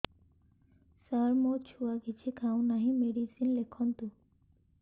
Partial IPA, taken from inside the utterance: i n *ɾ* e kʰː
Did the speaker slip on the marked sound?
yes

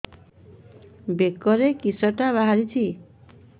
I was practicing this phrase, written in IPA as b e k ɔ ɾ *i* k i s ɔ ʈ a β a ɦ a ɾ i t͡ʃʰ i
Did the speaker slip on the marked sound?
yes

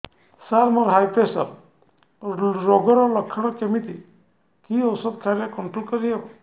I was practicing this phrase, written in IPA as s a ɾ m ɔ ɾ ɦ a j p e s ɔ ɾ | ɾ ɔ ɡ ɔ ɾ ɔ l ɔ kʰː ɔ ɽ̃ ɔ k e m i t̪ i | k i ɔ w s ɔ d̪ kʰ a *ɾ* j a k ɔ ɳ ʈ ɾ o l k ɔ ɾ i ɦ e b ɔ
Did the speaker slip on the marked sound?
no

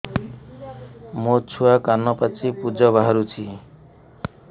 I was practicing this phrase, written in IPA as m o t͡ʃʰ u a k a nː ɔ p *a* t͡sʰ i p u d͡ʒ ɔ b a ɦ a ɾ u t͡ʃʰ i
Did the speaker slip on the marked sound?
no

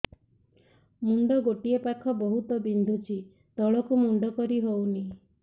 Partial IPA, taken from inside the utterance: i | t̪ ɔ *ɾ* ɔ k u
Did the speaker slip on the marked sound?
yes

